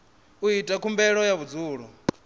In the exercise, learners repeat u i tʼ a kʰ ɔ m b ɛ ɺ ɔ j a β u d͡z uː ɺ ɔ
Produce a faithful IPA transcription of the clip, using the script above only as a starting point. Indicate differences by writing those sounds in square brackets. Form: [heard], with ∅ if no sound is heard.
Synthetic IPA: u i tʼ a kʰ [u] m b ɛ ɺ ɔ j a β u d͡z uː ɺ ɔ